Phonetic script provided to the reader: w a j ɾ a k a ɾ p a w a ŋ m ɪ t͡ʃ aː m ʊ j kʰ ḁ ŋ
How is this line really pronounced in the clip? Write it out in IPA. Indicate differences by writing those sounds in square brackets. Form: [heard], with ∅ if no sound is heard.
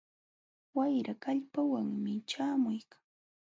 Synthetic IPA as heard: w a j ɾ a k a [ʎ] p a w a ŋ m ɪ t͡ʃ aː m ʊ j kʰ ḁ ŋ